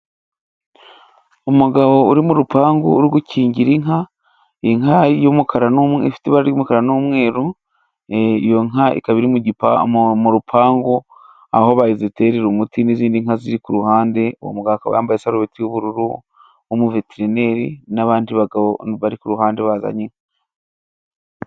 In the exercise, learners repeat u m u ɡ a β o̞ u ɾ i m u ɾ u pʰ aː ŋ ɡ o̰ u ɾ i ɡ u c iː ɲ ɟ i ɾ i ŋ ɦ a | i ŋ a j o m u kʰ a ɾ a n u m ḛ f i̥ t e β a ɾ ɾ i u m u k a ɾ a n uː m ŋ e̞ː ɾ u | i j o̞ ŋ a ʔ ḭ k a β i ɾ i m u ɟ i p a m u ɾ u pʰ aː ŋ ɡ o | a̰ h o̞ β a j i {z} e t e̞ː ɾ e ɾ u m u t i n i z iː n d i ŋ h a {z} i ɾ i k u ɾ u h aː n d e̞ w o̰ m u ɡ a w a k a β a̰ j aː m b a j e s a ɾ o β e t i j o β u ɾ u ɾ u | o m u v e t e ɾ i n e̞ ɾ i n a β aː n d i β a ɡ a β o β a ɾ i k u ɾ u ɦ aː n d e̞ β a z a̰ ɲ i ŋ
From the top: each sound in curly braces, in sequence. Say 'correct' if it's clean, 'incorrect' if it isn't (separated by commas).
correct, correct